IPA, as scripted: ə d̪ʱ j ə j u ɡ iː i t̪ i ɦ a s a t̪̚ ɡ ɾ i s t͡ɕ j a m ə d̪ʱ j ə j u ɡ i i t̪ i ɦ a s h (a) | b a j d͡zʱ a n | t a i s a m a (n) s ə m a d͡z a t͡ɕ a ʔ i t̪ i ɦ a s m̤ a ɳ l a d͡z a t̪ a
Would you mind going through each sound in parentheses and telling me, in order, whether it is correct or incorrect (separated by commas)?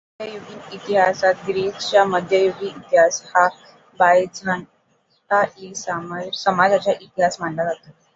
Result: correct, incorrect